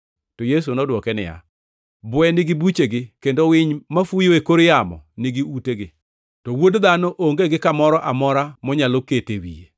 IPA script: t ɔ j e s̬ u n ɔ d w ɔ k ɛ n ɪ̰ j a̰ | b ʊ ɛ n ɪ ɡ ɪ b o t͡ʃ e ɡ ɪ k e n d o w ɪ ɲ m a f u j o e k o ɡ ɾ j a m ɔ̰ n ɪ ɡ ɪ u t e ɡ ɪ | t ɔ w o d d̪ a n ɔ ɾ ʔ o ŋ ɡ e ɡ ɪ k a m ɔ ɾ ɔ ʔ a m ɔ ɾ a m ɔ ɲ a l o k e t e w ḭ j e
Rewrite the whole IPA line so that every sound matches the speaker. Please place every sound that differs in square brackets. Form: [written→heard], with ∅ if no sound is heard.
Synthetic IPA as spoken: t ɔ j e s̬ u n ɔ d w ɔ k ɛ n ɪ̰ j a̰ | b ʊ ɛ n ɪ ɡ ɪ b [o→u] t͡ʃ e ɡ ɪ k e n d o w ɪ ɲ m a f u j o e k o [ɡ→∅] ɾ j a m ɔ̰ n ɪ ɡ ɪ u t e ɡ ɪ | t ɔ w o d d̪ a n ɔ [ɾ→∅] ʔ o ŋ ɡ e ɡ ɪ k a m ɔ ɾ ɔ ʔ a m ɔ ɾ a m ɔ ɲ a l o k e t e w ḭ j e